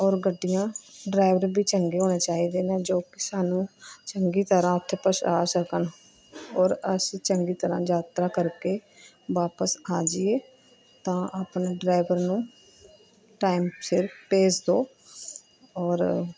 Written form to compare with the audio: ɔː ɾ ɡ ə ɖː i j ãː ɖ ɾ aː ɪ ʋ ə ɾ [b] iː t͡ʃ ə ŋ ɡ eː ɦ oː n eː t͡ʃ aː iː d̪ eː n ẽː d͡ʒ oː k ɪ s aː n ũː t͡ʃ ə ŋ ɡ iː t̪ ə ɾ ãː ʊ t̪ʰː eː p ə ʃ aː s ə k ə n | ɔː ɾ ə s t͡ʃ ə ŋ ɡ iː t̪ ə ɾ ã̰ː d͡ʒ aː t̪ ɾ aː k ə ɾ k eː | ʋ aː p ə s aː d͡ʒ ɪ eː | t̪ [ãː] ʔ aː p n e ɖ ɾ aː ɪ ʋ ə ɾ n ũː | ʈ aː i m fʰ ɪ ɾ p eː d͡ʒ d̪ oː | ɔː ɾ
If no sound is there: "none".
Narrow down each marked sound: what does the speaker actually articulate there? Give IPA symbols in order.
b, ãː

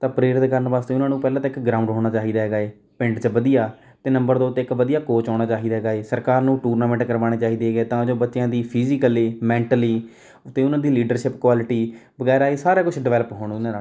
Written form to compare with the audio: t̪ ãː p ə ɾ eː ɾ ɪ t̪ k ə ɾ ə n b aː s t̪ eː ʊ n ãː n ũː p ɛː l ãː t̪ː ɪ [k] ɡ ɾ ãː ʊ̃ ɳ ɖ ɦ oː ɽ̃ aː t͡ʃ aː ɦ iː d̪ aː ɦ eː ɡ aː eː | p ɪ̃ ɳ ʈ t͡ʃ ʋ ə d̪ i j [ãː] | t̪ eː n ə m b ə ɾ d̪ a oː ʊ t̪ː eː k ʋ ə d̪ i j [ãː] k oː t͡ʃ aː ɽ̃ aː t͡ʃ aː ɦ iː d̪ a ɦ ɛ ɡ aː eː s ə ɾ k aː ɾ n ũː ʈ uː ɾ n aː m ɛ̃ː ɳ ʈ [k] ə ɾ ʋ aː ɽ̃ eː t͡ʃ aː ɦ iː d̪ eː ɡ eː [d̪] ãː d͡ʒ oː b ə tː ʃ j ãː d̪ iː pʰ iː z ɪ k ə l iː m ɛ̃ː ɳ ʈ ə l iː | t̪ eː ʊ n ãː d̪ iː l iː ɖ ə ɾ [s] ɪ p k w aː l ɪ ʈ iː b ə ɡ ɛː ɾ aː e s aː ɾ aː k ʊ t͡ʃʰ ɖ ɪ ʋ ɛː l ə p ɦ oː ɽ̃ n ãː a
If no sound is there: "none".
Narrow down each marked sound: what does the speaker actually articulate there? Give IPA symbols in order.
k, aː, aː, k, t̪, ʃ

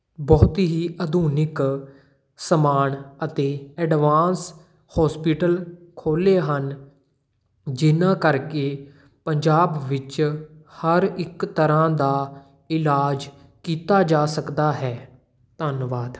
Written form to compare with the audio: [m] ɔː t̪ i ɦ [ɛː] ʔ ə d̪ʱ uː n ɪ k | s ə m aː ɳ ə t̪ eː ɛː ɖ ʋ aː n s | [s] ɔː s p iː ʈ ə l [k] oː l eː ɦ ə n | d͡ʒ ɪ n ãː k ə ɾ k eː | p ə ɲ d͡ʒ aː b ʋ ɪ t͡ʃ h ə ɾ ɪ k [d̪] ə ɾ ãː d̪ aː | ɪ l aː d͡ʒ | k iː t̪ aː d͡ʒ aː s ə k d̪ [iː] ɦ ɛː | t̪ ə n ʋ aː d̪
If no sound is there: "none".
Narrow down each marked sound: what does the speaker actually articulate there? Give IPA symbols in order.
b, iː, h, kʰ, t̪, aː

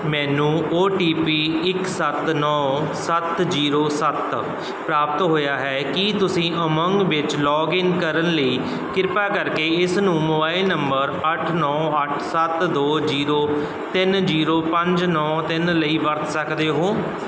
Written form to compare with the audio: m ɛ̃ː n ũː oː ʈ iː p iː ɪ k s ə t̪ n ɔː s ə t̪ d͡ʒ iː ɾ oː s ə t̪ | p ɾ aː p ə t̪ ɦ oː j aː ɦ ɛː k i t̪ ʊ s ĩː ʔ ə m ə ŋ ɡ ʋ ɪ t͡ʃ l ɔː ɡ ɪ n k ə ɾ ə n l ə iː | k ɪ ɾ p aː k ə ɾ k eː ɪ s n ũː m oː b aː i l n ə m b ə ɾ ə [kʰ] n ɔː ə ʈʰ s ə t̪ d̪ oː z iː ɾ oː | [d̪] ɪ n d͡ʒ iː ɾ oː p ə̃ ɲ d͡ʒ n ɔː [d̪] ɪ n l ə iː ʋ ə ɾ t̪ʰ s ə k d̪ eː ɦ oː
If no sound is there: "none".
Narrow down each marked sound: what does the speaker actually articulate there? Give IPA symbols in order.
ʈʰ, t̪, t̪

